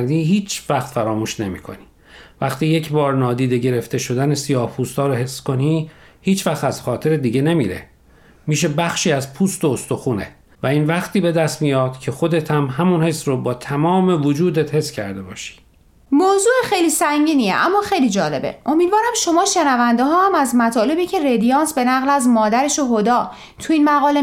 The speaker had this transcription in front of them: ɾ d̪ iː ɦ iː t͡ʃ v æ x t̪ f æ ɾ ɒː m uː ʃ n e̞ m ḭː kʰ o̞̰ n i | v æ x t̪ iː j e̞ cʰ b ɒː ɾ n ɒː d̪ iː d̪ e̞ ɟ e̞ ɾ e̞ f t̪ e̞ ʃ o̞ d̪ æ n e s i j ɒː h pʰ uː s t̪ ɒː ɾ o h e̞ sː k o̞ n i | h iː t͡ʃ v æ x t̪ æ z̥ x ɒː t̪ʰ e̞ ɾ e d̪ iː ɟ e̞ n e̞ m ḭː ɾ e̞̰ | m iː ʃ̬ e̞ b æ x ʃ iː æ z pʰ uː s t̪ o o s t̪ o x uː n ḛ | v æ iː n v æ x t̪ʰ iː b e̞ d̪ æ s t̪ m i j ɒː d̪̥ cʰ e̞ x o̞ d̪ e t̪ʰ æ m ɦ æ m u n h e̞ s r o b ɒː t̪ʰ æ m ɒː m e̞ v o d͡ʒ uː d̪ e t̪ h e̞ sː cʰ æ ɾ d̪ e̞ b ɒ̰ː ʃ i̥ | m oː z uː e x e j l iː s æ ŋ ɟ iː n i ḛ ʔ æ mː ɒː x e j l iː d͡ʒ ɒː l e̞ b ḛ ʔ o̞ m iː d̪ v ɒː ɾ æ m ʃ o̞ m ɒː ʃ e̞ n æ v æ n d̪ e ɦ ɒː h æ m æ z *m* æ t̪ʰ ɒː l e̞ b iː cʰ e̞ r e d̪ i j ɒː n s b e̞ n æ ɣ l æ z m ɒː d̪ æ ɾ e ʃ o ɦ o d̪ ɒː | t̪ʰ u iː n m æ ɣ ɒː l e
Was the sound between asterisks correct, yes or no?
yes